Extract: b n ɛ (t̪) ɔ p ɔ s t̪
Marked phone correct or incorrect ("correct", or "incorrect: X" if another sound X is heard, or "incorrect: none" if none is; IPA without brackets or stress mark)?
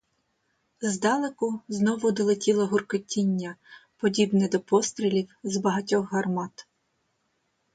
incorrect: d̪